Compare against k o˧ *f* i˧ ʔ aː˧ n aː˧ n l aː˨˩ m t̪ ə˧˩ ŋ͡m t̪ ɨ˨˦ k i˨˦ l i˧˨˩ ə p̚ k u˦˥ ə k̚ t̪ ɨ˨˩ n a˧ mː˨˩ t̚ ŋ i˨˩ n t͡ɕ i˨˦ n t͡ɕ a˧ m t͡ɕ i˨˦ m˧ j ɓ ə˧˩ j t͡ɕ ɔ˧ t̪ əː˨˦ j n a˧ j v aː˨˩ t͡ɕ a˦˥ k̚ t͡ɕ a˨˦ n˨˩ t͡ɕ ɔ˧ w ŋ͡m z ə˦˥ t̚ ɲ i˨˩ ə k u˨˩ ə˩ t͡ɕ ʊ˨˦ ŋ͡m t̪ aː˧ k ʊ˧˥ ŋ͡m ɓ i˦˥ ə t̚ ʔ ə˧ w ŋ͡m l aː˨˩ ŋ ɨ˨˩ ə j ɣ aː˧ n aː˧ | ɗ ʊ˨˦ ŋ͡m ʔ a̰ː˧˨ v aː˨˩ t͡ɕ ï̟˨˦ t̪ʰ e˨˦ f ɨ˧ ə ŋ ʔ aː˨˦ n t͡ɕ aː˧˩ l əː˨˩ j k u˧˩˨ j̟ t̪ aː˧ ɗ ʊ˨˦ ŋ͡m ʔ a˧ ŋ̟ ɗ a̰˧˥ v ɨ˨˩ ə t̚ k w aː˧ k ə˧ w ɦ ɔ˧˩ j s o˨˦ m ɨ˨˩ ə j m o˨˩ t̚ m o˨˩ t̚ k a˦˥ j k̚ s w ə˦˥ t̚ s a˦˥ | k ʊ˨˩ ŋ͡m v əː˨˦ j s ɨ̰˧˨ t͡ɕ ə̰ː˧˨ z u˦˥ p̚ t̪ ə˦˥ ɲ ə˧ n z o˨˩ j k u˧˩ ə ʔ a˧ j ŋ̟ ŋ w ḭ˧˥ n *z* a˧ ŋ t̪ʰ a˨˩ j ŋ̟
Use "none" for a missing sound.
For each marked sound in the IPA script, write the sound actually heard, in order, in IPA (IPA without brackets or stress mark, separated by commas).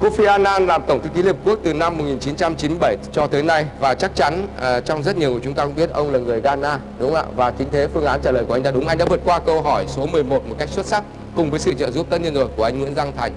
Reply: f, z